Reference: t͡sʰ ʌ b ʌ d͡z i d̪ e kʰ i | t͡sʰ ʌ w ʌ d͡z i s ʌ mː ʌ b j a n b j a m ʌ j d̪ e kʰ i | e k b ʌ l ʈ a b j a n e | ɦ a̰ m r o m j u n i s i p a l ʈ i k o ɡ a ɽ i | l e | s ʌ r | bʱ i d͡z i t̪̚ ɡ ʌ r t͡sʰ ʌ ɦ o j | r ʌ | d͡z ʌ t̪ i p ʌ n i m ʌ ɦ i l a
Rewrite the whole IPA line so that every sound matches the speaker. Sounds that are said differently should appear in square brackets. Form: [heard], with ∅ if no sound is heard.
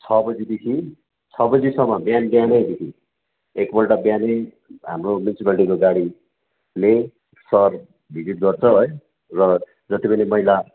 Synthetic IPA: t͡sʰ ʌ b ʌ d͡z i d̪ e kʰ i | t͡sʰ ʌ [b] ʌ d͡z i s ʌ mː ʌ b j a n b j a [n] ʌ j d̪ e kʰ i | e k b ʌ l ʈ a b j a n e | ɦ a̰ m r o m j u n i s i p a l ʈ i k o ɡ a ɽ i | l e | s ʌ r | bʱ i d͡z i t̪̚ ɡ ʌ r t͡sʰ ʌ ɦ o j | r ʌ | d͡z ʌ t̪ i p ʌ n i m ʌ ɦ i l a